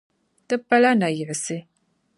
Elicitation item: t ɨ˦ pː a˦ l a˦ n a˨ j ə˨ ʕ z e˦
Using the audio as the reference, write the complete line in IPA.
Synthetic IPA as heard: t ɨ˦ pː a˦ l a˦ n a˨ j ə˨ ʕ s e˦